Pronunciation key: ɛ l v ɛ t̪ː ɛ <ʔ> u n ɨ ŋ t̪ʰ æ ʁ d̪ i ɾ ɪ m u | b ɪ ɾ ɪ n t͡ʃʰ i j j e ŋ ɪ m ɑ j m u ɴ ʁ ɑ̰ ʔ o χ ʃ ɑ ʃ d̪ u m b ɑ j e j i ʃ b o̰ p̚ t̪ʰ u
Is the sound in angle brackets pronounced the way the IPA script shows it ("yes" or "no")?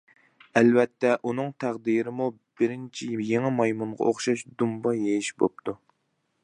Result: yes